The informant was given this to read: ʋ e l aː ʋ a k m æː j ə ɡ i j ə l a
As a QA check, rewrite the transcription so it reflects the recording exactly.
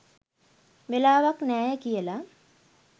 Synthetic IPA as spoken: ʋ e l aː ʋ a k n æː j ə k i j ə l a

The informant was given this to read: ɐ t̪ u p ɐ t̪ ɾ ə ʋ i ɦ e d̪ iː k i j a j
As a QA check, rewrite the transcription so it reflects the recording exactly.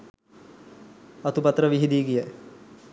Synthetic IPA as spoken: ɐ t̪ u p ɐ t̪ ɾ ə ʋ i ɦ i d̪ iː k i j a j

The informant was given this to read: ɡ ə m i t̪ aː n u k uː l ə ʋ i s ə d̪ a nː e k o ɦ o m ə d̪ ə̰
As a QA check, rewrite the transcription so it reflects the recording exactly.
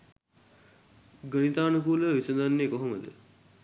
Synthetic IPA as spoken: ɡ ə n i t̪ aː n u k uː l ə ʋ i s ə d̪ a nː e k o ɦ o m ə d̪ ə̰

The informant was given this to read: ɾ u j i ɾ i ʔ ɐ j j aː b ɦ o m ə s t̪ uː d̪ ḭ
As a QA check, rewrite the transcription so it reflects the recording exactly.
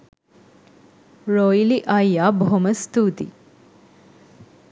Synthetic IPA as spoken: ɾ o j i l i ʔ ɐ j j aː b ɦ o m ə s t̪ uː t̪ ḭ

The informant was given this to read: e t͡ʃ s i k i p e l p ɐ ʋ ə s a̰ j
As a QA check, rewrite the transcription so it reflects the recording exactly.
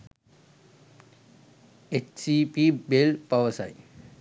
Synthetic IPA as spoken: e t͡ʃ s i p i b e l p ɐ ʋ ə s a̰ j

